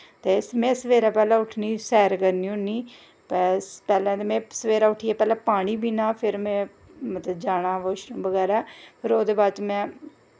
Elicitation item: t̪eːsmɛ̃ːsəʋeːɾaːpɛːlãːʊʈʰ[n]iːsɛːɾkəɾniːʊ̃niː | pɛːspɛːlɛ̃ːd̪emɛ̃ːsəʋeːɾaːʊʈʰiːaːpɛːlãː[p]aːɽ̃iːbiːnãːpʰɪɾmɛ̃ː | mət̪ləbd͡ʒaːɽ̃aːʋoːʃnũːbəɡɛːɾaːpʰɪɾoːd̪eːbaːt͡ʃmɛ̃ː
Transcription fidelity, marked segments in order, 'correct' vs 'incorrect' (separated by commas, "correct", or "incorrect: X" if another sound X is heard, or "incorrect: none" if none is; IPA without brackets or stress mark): correct, correct